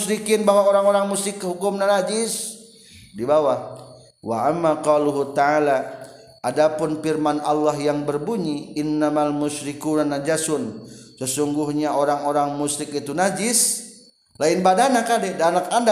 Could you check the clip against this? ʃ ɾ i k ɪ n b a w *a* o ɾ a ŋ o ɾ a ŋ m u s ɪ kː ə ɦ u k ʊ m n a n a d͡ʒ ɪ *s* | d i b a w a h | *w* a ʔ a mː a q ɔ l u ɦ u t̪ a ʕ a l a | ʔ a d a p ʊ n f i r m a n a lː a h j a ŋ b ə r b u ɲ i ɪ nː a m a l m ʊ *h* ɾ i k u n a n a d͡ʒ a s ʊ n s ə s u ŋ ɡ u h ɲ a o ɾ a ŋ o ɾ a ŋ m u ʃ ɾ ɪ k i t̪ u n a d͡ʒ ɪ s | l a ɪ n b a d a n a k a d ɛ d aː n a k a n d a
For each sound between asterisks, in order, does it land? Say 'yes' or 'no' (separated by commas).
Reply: yes, yes, yes, no